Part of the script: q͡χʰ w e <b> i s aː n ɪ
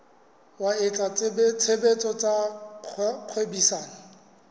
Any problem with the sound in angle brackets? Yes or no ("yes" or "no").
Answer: no